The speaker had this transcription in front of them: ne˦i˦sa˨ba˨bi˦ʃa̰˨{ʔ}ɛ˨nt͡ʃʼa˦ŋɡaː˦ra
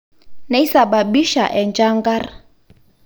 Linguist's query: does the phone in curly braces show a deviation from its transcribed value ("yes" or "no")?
no